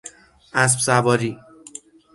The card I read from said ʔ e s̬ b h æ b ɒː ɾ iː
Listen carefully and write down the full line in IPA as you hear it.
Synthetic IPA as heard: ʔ æ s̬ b s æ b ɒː ɾ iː